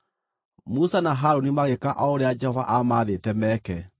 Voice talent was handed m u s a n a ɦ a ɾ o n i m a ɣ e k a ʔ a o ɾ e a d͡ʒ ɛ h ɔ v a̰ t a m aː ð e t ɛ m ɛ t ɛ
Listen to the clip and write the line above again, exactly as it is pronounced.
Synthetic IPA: m u s a n a ɦ a ɾ o n i m a ɣ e k a ʔ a o ɾ e a d͡ʒ ɛ h ɔ v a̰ ʔ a m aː ð e t ɛ m ɛ k ɛ